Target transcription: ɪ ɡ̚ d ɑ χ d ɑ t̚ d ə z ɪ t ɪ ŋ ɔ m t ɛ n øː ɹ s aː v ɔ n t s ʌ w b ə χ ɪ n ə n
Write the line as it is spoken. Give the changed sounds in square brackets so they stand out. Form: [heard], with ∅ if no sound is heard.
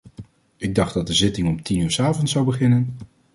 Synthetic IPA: ɪ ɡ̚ d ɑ χ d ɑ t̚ d ə z ɪ t ɪ ŋ ɔ m t [i] n [yː] ɹ s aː v ɔ n t s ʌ w b ə χ ɪ n ə n